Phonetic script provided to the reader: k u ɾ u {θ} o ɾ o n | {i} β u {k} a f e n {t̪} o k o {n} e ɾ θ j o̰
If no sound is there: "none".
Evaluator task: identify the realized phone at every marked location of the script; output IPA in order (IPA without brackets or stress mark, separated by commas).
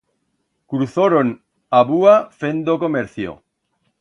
θ, a, none, d̪, m